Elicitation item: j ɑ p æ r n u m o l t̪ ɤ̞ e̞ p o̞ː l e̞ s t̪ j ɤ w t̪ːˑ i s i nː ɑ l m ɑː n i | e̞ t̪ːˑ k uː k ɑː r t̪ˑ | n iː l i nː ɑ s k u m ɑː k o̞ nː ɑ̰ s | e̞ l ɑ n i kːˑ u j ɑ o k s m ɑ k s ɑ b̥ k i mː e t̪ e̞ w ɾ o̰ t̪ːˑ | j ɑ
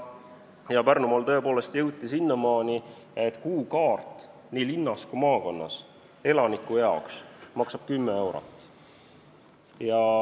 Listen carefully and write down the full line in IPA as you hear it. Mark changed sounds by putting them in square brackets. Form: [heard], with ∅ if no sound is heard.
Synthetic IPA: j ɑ p æ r n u m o l t̪ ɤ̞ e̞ p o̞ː l e̞ s t̪ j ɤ w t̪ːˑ i s i nː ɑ [∅] m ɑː n i | e̞ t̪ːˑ k uː k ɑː r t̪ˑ | n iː l i nː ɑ s k u m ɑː k o̞ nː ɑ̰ s | e̞ l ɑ n i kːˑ u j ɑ o k s m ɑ k s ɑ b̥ k [y] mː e [∅] e̞ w ɾ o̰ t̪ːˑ | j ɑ